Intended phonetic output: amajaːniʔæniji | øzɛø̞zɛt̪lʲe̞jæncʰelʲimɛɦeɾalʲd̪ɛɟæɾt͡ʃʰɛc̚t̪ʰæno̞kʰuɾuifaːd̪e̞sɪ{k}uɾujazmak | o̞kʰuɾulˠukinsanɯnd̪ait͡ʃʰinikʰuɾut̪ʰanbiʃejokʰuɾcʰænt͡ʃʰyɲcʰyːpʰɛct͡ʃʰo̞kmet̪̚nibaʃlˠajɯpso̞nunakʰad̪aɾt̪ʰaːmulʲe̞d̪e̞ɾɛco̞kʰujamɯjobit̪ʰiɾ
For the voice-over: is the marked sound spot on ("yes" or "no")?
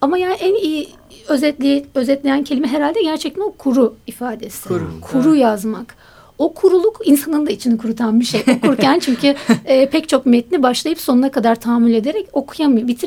no